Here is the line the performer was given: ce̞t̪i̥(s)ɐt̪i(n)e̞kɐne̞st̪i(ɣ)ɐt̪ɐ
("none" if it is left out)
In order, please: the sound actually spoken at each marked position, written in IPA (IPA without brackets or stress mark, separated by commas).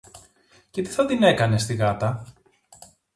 θ, n, ɣ